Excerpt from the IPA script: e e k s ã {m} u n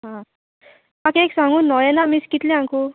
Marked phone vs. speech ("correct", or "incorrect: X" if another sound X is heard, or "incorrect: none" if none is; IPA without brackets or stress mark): incorrect: ŋ